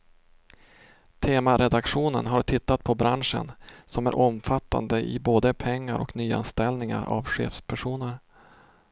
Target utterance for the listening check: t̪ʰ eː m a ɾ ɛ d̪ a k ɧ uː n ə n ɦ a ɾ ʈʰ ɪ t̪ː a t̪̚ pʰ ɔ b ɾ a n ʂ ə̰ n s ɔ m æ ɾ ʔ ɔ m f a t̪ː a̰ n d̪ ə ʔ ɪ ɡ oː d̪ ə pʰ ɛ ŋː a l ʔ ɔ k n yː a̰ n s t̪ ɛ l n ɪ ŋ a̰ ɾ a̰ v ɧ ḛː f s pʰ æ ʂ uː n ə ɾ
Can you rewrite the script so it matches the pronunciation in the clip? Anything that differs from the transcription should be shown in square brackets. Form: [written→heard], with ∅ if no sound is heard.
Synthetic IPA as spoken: t̪ʰ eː m a ɾ ɛ d̪ a k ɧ uː n ə n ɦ a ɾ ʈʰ ɪ t̪ː a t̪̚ pʰ ɔ b ɾ a n ʂ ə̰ n s ɔ m æ ɾ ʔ ɔ m f a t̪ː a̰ n d̪ ə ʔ ɪ [ɡ→b] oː d̪ ə pʰ ɛ ŋː a [l→ɾ] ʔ ɔ k n yː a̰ n s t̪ ɛ l n ɪ ŋ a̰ ɾ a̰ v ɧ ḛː f s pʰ æ ʂ uː n ə ɾ